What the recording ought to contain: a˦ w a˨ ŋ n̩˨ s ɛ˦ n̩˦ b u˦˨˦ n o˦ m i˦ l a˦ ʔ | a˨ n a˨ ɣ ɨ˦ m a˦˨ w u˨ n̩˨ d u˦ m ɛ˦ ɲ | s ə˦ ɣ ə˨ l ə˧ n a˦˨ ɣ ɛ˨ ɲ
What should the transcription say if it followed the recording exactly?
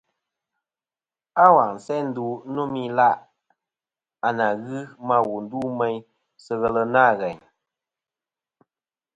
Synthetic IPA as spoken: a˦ w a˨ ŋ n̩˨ s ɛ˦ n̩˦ d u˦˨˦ n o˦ m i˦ l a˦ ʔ | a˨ n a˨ ɣ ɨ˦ m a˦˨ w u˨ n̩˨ d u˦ m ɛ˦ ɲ | s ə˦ ɣ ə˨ l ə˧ n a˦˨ ɣ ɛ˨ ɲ